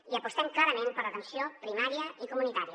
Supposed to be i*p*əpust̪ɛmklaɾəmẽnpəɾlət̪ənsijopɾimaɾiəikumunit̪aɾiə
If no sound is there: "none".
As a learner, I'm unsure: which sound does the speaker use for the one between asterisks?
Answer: none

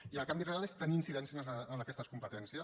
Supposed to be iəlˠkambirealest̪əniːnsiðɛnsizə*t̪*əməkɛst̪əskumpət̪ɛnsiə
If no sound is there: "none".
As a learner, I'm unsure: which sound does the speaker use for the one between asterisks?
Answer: none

